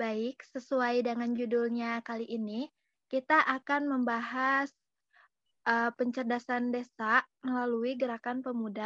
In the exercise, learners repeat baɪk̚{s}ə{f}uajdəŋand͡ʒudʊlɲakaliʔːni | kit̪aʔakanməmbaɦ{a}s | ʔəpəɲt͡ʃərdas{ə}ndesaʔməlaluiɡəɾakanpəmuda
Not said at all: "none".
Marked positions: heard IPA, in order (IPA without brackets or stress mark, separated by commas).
s, s, a, a